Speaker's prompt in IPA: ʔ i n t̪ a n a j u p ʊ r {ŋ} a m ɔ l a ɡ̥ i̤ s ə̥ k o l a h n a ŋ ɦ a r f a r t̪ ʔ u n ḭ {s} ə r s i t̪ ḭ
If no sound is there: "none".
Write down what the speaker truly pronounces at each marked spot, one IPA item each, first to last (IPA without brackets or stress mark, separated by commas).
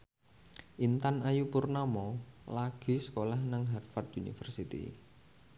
n, f